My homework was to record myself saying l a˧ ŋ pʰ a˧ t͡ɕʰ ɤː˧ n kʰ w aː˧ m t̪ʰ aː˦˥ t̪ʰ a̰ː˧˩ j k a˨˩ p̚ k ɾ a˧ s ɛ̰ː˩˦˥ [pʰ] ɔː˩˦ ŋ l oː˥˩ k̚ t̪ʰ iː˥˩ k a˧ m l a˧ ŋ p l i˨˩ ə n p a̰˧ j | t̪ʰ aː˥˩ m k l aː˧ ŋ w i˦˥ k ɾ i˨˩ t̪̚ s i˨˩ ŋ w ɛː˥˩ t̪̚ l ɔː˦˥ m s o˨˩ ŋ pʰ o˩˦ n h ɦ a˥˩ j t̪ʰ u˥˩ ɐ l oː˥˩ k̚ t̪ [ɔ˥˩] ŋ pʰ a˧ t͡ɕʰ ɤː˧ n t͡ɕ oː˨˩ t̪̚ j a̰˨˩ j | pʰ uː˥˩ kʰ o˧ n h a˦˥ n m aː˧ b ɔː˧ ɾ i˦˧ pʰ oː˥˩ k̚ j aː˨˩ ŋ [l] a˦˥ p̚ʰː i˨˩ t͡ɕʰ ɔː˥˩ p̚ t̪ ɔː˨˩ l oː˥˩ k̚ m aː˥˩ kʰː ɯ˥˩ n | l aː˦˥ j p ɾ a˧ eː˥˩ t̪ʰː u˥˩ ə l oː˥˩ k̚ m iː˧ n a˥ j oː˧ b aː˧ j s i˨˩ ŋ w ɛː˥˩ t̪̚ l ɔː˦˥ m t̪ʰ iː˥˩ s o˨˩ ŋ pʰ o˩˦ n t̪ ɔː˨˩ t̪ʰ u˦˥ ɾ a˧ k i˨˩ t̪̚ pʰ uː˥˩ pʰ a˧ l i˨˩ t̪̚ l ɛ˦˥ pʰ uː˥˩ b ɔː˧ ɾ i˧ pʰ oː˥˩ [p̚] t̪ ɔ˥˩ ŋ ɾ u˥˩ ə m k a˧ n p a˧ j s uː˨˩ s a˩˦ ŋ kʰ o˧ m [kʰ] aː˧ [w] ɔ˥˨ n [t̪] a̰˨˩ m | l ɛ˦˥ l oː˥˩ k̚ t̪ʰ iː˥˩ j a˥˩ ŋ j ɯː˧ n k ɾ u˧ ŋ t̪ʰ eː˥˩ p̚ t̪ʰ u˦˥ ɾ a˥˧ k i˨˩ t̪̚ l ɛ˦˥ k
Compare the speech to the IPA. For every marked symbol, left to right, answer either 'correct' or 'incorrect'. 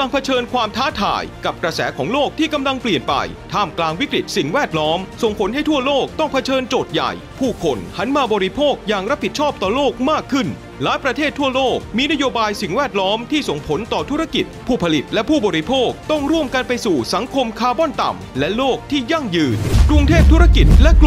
incorrect, correct, incorrect, incorrect, correct, incorrect, correct

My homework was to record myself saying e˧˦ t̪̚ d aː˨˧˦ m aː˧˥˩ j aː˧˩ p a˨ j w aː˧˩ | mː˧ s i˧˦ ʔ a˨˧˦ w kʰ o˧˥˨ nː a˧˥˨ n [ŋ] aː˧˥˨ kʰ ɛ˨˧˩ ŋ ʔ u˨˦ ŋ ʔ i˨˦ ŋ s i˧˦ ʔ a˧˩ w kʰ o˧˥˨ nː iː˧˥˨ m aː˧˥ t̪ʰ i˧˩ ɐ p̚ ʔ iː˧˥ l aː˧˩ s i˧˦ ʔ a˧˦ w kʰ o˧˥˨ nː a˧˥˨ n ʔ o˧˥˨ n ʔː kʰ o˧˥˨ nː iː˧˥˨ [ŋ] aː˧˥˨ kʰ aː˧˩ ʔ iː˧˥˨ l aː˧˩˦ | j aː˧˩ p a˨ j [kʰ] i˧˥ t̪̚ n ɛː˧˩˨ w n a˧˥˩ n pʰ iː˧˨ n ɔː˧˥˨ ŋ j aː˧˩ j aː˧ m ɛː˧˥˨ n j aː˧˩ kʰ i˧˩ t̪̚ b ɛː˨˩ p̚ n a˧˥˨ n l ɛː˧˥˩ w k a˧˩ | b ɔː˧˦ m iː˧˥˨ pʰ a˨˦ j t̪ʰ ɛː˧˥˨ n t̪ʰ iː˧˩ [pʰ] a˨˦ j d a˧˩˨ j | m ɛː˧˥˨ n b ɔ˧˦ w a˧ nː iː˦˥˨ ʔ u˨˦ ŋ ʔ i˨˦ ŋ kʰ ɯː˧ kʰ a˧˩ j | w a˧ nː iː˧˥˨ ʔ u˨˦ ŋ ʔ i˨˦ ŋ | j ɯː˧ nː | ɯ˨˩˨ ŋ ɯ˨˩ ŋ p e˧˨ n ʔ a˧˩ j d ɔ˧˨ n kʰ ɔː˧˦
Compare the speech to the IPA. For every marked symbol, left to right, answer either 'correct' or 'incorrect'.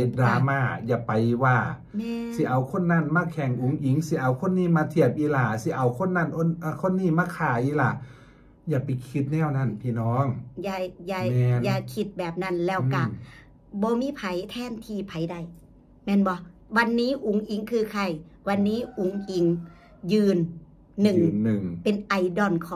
incorrect, incorrect, correct, correct

